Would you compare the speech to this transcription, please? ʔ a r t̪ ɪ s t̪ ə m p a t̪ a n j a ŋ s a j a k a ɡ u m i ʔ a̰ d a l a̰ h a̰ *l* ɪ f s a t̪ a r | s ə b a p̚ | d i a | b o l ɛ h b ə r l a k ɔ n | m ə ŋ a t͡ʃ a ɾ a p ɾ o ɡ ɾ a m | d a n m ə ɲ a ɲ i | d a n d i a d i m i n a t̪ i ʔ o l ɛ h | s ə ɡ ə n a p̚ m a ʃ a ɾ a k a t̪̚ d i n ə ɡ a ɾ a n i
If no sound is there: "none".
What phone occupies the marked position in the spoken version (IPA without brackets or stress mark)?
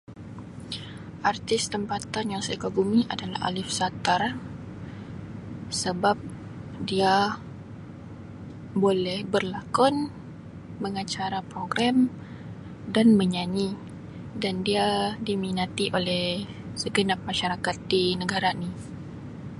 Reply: l